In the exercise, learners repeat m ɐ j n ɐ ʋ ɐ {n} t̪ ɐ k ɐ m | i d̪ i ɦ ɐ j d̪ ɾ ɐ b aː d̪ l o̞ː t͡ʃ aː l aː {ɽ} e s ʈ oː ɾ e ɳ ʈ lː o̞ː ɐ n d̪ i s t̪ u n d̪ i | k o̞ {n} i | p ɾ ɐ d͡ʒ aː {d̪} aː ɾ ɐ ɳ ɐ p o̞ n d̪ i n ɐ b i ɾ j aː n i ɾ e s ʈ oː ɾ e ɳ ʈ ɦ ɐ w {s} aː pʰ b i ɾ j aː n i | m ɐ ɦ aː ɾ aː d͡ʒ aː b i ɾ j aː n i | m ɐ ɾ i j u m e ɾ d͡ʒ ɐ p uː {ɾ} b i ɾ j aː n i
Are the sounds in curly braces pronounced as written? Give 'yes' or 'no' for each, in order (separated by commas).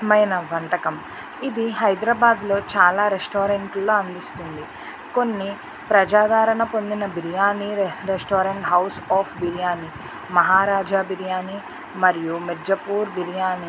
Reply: yes, no, no, yes, yes, yes